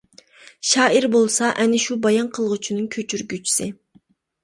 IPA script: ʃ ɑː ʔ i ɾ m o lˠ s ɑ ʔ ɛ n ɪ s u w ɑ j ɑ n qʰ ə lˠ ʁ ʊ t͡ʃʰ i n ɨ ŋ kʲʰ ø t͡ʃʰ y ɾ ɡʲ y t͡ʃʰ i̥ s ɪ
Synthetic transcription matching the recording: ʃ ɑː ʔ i ɾ b o lˠ s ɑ ʔ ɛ n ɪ ʃ u b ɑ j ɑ n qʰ ə lˠ ʁ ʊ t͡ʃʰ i n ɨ ŋ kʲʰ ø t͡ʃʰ y ɾ ɡʲ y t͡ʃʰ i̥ s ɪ